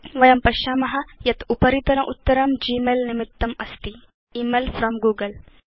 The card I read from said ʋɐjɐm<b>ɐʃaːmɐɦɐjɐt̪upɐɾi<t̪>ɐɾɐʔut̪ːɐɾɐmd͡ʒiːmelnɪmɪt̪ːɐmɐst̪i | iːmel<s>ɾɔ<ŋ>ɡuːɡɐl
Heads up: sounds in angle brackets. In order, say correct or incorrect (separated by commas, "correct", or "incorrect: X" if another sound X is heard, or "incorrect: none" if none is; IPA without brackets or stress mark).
incorrect: p, correct, incorrect: f, incorrect: m